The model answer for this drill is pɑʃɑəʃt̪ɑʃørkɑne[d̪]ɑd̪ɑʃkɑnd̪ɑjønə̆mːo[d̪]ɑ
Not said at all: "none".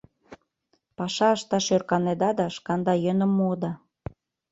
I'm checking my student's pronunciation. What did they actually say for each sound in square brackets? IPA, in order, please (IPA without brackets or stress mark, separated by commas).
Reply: d̪, d̪